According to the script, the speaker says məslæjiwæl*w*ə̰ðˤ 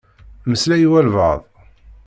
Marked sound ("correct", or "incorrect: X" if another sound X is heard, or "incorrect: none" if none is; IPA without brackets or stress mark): incorrect: v